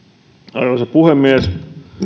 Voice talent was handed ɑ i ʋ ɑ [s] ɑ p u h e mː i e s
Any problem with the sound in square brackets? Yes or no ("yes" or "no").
no